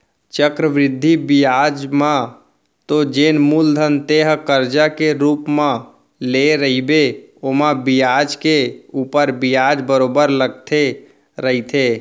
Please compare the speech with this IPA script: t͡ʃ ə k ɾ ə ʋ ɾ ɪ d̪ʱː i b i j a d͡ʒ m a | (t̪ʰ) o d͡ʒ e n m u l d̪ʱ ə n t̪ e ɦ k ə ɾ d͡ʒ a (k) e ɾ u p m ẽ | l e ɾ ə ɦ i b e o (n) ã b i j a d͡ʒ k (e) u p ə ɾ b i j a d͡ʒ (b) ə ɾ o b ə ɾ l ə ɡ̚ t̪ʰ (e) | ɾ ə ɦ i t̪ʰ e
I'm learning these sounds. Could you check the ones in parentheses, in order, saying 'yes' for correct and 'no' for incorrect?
no, yes, no, yes, yes, yes

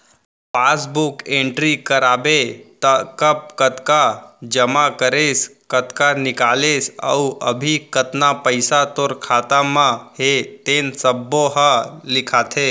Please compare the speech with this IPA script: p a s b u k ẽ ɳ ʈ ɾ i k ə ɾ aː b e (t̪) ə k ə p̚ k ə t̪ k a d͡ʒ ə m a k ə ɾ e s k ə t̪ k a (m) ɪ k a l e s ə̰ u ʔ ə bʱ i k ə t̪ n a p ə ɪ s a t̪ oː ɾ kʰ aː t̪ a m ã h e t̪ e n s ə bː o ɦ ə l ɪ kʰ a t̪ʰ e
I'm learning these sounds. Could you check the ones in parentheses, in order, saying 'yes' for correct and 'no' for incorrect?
yes, no

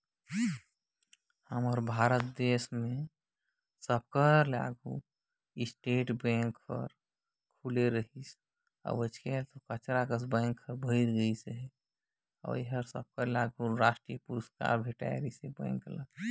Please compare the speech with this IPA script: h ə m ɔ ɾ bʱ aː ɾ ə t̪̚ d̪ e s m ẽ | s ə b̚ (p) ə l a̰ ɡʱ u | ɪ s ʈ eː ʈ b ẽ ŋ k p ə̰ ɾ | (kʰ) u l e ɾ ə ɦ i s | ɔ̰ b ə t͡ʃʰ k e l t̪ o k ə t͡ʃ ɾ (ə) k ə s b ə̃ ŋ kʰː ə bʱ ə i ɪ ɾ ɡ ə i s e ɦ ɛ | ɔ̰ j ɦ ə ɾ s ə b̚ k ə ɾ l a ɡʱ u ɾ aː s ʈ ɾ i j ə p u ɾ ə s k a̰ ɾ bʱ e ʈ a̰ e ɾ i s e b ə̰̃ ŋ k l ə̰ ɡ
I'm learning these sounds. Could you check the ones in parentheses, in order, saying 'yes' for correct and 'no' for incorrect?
no, yes, no

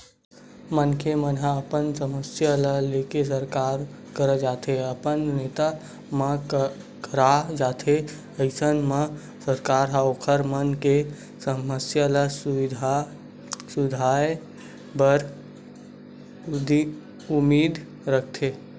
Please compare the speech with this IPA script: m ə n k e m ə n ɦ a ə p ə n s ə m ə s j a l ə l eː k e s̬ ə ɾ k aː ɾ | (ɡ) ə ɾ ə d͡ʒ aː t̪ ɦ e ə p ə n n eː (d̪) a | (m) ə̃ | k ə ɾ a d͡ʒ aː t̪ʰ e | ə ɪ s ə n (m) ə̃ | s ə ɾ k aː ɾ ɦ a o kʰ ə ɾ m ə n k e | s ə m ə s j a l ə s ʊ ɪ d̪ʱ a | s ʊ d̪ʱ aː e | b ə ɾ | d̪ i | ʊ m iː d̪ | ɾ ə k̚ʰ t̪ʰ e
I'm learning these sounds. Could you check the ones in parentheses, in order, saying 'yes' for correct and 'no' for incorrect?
no, no, yes, yes

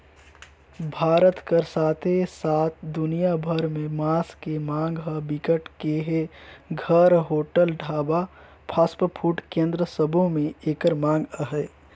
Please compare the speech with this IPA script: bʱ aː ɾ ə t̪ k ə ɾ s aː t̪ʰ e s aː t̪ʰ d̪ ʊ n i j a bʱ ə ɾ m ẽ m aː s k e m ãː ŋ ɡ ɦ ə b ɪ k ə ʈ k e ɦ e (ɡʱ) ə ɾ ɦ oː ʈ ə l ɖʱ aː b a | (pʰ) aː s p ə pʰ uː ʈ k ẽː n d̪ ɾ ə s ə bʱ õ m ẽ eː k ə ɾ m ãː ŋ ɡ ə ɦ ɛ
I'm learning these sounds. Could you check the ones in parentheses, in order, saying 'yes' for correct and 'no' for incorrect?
yes, yes

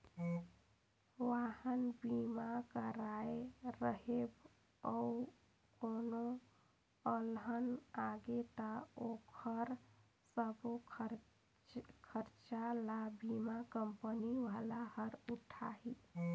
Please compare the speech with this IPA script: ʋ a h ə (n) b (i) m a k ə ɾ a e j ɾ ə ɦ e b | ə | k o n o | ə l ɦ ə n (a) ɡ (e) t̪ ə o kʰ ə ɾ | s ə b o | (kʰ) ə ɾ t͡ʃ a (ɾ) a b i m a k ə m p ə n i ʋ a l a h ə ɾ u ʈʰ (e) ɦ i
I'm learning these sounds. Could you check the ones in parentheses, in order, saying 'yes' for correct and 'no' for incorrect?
yes, yes, yes, yes, yes, no, no

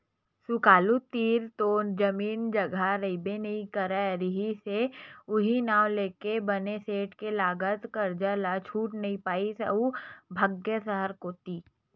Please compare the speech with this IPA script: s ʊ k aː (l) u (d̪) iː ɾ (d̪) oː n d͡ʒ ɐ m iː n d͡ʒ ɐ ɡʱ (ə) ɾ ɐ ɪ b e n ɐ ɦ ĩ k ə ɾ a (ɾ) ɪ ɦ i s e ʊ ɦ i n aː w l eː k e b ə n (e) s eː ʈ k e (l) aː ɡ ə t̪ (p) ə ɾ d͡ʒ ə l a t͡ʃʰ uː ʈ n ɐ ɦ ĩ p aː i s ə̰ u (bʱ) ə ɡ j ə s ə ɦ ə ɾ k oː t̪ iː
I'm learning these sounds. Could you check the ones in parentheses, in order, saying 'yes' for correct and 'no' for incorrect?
yes, no, no, no, yes, yes, yes, no, yes

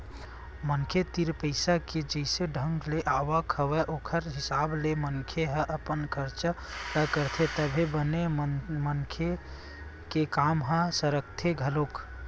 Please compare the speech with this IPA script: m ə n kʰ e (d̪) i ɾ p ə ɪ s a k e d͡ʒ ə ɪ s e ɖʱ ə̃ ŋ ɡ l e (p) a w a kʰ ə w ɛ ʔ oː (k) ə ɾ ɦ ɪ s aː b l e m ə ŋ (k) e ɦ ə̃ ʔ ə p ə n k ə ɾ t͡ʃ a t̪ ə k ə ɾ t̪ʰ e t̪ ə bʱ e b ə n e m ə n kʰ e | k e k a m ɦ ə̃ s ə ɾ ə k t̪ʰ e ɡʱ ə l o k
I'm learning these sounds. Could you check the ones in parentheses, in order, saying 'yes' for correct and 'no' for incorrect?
no, no, no, no

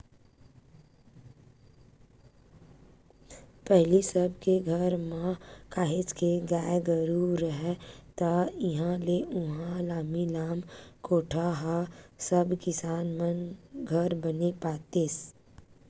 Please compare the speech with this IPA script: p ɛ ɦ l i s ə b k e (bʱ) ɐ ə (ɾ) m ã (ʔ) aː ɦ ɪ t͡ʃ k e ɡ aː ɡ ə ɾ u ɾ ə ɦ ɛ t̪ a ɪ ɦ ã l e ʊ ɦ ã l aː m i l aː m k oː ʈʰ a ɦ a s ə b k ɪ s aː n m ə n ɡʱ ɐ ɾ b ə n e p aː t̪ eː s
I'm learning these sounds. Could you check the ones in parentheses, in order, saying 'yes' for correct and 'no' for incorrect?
no, yes, no

